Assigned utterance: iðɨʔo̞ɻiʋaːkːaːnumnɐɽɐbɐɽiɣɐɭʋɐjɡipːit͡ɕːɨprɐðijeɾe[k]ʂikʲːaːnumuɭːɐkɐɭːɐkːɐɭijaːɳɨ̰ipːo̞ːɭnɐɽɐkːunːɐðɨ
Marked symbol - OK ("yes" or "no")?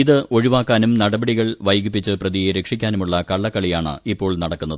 yes